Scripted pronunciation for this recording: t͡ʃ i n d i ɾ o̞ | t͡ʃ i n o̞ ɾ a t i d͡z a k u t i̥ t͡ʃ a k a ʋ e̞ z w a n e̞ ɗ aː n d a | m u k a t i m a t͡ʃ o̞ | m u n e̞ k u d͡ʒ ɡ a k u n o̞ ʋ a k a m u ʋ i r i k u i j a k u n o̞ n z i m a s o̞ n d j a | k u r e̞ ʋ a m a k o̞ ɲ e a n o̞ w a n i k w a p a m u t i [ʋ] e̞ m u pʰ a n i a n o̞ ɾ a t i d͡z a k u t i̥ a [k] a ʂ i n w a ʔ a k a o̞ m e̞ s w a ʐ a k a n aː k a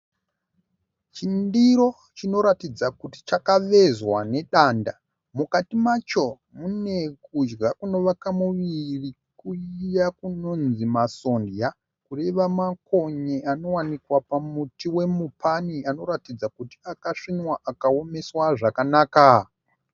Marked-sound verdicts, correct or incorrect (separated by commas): incorrect, correct